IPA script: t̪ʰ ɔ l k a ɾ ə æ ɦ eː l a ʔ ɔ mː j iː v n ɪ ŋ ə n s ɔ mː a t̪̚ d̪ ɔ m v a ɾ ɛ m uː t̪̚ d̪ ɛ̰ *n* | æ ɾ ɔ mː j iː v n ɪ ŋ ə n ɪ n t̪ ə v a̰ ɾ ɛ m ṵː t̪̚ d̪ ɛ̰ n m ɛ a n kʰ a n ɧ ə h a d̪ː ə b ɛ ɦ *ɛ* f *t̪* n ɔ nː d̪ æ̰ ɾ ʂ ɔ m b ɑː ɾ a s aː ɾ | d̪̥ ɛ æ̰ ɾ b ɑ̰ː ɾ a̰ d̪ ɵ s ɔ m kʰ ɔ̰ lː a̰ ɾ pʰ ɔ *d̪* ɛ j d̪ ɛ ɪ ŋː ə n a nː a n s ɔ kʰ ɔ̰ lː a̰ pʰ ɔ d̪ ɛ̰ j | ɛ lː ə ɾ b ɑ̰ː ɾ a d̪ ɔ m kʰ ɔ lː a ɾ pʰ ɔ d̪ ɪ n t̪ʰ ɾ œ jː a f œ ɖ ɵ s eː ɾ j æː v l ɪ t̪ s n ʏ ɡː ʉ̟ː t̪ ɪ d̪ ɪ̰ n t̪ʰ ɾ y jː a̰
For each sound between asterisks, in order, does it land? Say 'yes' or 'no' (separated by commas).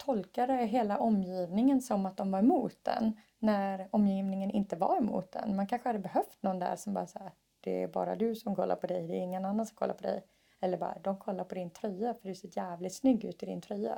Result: no, no, yes, yes